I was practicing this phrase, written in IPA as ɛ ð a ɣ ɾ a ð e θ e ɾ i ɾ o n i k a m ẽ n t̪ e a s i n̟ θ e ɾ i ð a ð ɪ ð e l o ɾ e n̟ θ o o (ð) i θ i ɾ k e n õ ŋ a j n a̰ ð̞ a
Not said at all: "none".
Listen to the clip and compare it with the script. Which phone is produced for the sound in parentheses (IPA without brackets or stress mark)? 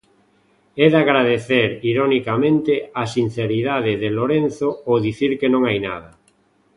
ð